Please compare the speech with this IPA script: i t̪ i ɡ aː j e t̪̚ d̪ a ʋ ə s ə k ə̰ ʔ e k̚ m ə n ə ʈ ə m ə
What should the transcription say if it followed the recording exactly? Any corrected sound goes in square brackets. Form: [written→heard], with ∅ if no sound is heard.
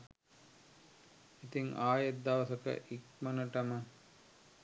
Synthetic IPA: i t̪ i [ɡ→ŋ] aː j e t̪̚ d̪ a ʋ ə s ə k ə̰ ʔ [e→i] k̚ m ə n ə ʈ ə m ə